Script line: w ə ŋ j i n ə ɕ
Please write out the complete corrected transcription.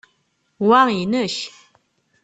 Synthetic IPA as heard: w a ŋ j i n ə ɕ